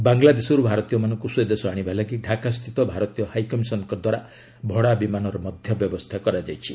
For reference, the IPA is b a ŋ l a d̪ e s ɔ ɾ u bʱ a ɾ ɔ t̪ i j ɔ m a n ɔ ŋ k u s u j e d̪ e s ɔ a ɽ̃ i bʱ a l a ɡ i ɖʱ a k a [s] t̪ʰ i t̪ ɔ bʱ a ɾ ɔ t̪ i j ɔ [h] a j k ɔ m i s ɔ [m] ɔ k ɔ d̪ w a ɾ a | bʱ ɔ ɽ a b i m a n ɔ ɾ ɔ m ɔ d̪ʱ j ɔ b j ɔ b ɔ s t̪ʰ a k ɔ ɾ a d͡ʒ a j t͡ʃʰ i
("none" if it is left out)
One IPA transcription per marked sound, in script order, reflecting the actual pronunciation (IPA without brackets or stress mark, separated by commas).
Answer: s, h, n